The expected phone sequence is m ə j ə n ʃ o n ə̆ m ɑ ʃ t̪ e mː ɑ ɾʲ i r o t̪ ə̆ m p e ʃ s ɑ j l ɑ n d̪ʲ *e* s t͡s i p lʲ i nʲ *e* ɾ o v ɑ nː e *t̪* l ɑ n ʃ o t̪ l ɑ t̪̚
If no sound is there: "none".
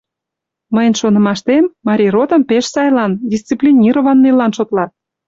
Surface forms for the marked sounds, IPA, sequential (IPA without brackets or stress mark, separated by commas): i, i, none